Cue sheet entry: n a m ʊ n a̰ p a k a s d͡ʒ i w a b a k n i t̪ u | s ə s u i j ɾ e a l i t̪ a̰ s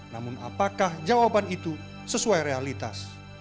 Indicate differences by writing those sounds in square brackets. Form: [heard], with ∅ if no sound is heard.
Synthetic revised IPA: n a m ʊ n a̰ p a k a [h] d͡ʒ [a] w a b a [∅] n i t̪ u | s ə s u [a] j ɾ e a l i t̪ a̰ s